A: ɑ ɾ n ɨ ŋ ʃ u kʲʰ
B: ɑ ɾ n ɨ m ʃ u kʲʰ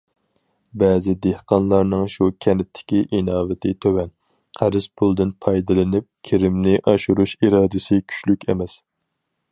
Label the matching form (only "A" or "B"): A